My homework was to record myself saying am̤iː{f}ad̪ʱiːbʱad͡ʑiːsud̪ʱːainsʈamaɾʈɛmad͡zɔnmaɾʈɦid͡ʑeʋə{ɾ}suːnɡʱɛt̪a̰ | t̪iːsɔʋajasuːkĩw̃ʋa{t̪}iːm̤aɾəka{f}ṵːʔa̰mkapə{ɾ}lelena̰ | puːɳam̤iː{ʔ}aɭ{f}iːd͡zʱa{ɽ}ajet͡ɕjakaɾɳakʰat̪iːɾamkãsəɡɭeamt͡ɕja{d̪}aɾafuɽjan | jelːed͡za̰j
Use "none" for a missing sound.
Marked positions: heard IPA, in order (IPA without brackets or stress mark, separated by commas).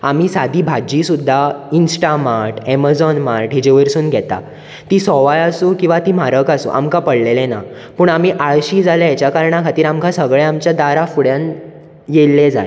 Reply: s, ɾ, t̪, s, ɽ, ʔ, ɕ, l, d̪